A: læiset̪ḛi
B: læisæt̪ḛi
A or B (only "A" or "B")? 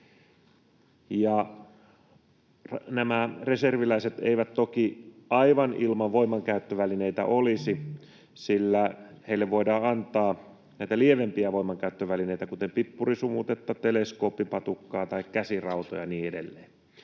A